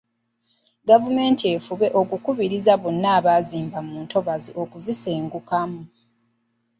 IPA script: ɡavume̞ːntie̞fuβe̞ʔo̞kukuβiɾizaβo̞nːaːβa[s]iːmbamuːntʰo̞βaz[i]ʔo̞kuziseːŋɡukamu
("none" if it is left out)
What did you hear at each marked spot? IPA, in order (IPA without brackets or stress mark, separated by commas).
z, i